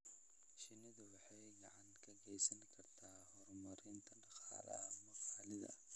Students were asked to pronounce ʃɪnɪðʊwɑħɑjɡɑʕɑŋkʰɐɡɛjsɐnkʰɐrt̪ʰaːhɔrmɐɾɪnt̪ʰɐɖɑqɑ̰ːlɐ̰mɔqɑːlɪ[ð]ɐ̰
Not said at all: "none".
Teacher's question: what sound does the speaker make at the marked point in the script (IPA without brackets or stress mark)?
ð